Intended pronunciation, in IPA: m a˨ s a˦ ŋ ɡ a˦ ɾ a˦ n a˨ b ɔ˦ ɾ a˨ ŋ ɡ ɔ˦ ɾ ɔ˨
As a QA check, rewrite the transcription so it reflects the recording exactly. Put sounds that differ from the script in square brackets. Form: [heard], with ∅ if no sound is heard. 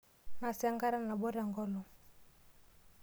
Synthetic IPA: [n] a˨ s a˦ ŋ ɡ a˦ ɾ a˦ n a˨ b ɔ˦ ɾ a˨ ŋ ɡ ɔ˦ [l] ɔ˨